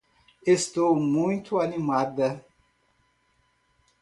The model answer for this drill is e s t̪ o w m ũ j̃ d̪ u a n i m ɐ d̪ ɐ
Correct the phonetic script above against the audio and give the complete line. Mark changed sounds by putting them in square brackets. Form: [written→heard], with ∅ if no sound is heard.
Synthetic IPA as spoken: e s t̪ o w m ũ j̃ [d̪→t̪] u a n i m [ɐ→a] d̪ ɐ